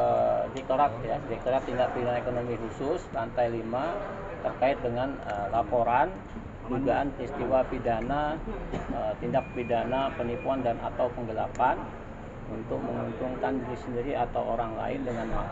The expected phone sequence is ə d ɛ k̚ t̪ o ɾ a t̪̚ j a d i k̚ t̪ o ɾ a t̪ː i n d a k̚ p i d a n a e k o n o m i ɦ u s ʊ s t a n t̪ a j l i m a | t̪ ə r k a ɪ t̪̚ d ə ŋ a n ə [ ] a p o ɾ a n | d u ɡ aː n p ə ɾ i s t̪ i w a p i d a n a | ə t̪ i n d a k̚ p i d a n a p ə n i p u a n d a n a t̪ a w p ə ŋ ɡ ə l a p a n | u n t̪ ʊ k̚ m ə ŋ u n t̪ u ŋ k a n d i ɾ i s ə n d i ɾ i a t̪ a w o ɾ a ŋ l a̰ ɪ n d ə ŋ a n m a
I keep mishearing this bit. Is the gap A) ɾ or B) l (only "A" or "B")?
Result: B